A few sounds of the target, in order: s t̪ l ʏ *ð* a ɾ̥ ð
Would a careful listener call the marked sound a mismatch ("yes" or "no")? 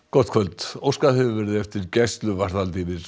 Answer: yes